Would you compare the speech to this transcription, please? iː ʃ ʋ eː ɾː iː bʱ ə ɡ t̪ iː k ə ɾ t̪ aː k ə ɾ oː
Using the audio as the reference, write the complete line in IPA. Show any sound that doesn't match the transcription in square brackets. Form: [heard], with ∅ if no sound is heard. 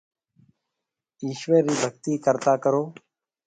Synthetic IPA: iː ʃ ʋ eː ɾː iː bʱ ə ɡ t̪ iː k ə ɾ t̪ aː k ə ɾ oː